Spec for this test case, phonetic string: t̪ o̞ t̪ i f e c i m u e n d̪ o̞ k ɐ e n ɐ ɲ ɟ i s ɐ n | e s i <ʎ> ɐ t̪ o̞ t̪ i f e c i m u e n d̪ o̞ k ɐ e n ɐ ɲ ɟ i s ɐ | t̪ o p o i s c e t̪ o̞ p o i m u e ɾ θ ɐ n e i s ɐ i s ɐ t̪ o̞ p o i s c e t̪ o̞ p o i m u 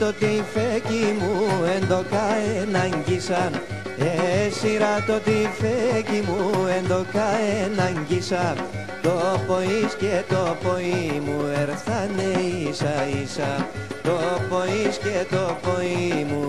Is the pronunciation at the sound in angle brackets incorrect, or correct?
incorrect